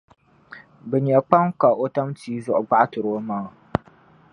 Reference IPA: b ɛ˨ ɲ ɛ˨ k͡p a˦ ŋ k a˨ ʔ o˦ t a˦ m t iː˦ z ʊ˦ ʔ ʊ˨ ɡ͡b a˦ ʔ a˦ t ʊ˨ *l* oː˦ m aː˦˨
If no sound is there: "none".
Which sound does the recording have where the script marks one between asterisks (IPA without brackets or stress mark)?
ɾ